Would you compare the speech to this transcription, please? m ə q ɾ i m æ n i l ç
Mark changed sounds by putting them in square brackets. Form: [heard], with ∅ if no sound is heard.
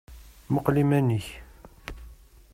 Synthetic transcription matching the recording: m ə q [l] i m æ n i [∅] ç